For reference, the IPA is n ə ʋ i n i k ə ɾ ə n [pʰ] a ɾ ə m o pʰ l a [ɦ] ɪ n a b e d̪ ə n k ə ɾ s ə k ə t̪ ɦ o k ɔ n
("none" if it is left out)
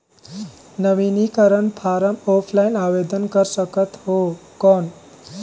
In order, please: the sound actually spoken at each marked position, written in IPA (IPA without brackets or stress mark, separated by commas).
pʰ, none